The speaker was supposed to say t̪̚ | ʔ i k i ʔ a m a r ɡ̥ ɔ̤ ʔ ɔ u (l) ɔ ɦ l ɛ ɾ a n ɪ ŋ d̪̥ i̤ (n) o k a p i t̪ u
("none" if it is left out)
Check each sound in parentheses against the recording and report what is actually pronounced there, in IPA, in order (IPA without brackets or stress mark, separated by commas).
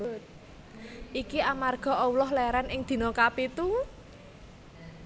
l, n